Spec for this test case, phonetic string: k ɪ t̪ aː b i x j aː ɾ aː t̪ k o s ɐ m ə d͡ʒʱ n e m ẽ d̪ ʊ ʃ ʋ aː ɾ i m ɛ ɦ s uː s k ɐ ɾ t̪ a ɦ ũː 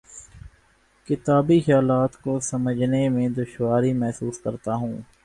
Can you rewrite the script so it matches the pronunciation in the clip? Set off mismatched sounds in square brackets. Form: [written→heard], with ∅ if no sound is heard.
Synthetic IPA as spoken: k ɪ t̪ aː b i x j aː [ɾ→l] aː t̪ k o s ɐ m ə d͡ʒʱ n e m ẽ d̪ ʊ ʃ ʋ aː ɾ i m ɛ ɦ s uː s k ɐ ɾ t̪ a ɦ ũː